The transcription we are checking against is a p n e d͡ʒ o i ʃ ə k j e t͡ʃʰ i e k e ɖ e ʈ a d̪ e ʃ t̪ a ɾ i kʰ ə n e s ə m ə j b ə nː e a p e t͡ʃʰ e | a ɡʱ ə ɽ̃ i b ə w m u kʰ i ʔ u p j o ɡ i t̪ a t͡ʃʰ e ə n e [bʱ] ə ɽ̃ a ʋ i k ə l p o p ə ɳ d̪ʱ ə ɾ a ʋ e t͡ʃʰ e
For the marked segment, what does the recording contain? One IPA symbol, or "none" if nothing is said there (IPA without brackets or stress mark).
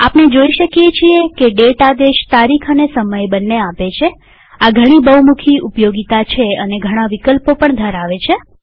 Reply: ɡʱ